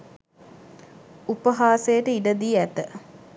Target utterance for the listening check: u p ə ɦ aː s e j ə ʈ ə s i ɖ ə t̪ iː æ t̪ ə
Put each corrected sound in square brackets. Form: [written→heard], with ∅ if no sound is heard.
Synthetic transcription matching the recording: u p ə ɦ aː s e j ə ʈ ə [s→∅] i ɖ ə [t̪→d̪] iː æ t̪ ə